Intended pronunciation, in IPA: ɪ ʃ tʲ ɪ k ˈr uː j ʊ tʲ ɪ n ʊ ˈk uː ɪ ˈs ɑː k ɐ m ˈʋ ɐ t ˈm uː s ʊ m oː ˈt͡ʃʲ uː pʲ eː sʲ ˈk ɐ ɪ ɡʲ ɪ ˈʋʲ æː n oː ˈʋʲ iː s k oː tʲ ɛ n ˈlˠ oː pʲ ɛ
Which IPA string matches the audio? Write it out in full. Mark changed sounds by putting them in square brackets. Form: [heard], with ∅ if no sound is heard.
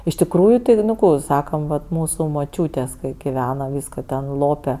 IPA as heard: ɪ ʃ tʲ ɪ k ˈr uː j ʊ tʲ ɪ n ʊ ˈk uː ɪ ˈs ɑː k ɐ m ˈʋ ɐ t ˈm uː s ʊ m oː ˈt͡ʃʲ uː [tʲ] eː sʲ ˈk ɐ ɪ ɡʲ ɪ ˈʋʲ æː n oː ˈʋʲ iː s k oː tʲ ɛ n ˈlˠ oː pʲ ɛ